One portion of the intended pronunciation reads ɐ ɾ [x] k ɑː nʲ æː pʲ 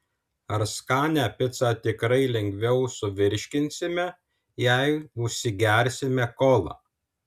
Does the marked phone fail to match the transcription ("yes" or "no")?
yes